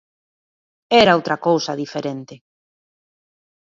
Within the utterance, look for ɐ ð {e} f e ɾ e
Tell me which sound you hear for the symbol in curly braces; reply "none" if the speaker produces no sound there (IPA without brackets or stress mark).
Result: i